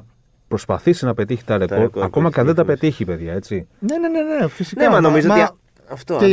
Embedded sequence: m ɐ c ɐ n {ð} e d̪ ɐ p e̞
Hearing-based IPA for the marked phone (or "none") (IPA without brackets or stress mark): ð